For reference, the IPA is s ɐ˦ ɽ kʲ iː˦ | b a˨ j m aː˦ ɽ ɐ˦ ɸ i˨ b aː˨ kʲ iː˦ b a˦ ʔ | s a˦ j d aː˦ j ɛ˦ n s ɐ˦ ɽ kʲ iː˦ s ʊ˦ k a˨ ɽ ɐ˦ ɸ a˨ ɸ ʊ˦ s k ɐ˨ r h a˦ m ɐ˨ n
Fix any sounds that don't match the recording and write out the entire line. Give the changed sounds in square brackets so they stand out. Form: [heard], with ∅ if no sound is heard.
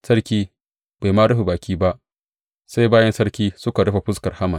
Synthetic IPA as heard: s ɐ˦ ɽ kʲ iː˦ | b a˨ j m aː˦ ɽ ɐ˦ ɸ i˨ b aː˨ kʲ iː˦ b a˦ ʔ | s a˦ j [b] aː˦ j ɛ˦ n s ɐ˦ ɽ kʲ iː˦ s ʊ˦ k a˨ ɽ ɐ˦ ɸ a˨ ɸ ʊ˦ s k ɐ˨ r h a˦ m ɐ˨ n